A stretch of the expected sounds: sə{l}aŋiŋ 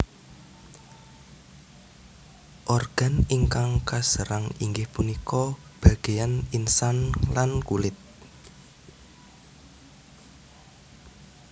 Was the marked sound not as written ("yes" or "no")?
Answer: yes